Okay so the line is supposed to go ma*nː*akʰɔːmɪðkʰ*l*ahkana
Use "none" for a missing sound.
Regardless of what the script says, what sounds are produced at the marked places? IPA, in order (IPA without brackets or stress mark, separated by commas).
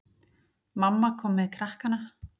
mː, ɾ